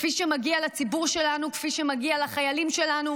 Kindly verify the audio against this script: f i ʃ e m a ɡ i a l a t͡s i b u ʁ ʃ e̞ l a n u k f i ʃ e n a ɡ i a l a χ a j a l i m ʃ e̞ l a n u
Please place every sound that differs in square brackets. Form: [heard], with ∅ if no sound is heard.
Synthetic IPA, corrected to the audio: f i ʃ e m a ɡ i a l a t͡s i b u ʁ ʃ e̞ l a n u k f i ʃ e [m] a ɡ i a l a χ a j a l i m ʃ e̞ l a n u